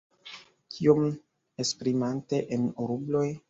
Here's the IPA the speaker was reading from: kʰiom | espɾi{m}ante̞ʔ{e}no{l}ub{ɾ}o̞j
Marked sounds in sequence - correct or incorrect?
correct, correct, incorrect: ɾ, incorrect: l

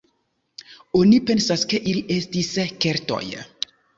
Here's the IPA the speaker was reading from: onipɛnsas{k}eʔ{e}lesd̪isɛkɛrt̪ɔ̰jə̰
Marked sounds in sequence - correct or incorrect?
correct, incorrect: i

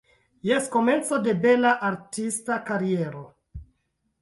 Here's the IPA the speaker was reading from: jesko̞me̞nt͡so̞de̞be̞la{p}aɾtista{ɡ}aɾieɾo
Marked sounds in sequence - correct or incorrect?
incorrect: ʔ, incorrect: k

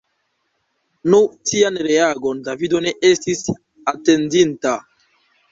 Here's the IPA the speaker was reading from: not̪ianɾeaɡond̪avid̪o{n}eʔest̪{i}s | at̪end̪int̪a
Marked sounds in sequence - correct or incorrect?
correct, correct

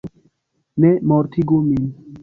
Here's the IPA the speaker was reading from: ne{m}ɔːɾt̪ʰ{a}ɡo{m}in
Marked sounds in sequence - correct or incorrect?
correct, incorrect: i, correct

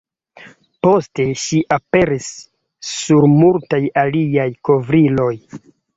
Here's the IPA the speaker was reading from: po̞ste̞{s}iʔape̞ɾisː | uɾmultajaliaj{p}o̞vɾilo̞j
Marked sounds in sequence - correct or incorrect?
incorrect: ʃ, incorrect: k

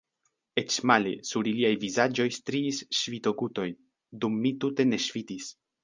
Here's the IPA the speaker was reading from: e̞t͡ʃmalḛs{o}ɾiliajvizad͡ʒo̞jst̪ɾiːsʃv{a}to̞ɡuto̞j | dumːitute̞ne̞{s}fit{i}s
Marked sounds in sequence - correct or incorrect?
incorrect: u, incorrect: i, incorrect: ʃ, correct

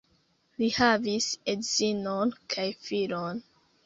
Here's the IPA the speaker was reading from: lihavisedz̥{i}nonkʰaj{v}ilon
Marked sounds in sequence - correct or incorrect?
correct, incorrect: f

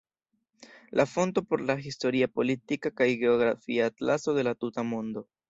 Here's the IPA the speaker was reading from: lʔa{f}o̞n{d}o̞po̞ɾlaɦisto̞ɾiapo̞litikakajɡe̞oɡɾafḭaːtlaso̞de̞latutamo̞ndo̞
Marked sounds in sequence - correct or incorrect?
correct, incorrect: t

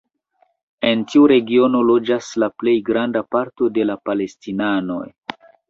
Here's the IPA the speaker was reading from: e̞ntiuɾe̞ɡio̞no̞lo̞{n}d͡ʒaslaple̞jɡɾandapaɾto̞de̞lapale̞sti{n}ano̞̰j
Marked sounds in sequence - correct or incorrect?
incorrect: none, correct

